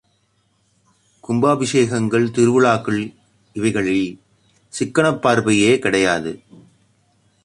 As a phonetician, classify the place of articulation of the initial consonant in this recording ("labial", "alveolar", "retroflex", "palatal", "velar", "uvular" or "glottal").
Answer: velar